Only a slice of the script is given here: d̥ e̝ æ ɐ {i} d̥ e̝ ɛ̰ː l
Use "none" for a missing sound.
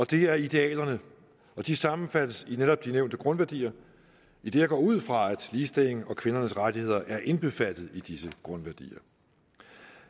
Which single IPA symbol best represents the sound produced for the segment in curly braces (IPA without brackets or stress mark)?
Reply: i